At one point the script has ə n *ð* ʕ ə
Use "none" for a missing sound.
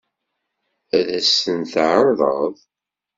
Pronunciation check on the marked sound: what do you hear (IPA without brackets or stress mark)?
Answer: θ